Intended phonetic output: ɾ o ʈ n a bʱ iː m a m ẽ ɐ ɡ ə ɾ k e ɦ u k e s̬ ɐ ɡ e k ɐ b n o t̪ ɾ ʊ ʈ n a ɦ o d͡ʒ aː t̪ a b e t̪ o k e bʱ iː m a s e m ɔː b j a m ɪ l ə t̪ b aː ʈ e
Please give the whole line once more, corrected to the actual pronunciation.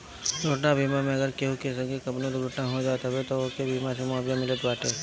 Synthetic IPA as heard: ɾ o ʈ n a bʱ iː m a m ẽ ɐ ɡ ə ɾ k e ɦ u k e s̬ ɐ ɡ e k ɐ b n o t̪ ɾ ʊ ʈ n a ɦ o d͡ʒ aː t̪ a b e t̪ o k e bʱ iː m a s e m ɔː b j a m ɪ l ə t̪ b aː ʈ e